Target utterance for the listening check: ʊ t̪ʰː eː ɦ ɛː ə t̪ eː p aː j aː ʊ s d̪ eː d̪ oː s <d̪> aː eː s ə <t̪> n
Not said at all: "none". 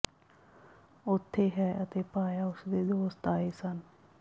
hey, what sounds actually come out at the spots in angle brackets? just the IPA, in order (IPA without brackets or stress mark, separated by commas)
t̪, none